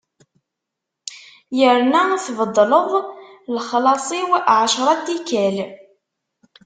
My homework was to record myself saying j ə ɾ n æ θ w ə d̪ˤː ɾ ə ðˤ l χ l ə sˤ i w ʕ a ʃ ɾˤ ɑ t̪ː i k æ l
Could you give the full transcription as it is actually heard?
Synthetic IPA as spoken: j ə ɾ n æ θ v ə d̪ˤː l ə ðˤ l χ l ɑ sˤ i w ʕ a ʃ ɾˤ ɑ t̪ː i k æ l